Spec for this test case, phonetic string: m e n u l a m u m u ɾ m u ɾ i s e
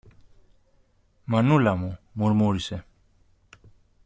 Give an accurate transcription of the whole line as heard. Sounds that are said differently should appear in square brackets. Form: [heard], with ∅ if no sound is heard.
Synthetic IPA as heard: m [a] n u l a m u m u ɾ m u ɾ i s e